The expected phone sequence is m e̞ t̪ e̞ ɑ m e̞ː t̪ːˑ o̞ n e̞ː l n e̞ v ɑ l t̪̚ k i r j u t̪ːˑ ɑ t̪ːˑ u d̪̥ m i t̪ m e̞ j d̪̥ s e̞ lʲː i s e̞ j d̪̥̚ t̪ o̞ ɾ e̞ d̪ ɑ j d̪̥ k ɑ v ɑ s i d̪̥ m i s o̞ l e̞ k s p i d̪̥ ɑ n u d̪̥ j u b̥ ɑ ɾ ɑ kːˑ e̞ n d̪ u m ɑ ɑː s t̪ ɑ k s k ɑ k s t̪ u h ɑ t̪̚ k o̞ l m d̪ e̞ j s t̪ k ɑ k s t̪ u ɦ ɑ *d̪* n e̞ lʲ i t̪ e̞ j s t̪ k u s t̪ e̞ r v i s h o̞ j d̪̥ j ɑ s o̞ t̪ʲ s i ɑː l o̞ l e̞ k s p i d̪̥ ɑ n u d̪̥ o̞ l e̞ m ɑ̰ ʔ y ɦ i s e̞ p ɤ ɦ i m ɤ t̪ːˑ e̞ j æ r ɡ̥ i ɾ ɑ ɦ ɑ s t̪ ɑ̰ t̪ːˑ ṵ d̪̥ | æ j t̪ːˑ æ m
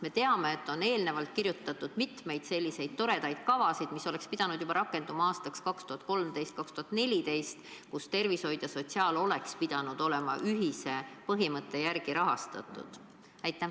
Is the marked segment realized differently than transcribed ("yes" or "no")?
yes